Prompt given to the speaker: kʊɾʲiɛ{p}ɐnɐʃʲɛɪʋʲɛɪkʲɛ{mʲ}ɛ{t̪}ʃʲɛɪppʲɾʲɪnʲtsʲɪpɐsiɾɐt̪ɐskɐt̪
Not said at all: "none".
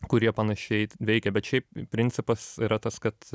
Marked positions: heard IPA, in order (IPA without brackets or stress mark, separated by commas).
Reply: p, bʲ, t̪